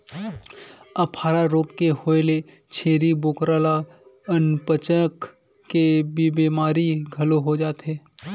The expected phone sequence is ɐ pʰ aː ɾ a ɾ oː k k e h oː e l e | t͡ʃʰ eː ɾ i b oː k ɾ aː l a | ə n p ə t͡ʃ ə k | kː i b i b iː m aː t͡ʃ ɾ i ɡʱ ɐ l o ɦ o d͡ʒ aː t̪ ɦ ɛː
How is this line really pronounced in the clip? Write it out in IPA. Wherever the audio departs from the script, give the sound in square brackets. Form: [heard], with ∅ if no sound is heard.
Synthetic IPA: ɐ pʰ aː ɾ a ɾ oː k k e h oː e l e | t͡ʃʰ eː ɾ i b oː k ɾ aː l a | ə n p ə t͡ʃ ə k | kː [e] b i b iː m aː [∅] ɾ i ɡʱ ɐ l o ɦ o d͡ʒ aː t̪ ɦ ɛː